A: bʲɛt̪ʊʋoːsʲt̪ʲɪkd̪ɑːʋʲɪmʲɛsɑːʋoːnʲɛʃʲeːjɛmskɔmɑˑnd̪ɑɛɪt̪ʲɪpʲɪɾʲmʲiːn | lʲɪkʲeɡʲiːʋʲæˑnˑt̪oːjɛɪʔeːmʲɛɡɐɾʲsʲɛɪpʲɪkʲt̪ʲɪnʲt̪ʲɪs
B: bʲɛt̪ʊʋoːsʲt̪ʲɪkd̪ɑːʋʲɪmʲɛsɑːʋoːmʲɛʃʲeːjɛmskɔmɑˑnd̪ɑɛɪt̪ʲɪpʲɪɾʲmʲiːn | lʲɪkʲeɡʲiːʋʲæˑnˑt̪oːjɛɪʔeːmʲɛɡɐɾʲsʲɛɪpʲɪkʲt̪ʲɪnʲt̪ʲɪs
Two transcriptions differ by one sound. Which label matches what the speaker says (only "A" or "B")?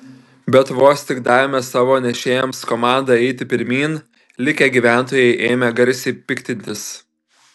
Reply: A